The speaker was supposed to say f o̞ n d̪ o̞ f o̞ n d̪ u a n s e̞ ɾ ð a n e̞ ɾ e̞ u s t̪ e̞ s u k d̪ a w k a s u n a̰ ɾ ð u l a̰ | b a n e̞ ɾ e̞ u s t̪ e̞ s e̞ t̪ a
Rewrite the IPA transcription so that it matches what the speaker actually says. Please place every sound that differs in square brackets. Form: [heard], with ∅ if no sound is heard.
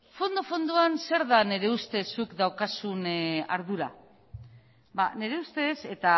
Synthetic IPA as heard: f o̞ n d̪ o̞ f o̞ n d̪ u a n s e̞ ɾ ð a n e̞ ɾ e̞ u s t̪ e̞ s u k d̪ a w k a s u n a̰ ɾ ð u [ɾ] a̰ | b a n e̞ ɾ e̞ u s t̪ e̞ s e̞ t̪ a